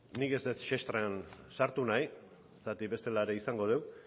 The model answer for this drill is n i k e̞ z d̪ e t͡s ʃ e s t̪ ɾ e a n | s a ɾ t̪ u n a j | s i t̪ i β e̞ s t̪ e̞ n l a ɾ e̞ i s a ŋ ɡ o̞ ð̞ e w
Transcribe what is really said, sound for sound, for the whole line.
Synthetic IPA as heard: n i k e̞ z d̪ e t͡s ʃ e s t̪ ɾ e a n | s a ɾ t̪ u n a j | s a t̪ i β e̞ s t̪ e̞ l a ɾ e̞ i s a ŋ ɡ o̞ ð̞ e w